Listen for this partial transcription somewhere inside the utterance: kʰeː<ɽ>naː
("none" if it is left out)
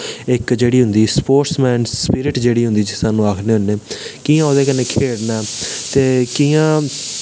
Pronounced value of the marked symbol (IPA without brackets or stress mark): ɽ